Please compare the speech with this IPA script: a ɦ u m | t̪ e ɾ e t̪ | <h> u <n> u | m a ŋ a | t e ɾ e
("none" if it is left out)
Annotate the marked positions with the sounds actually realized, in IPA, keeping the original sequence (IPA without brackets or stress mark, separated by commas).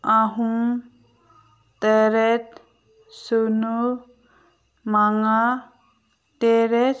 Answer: s, n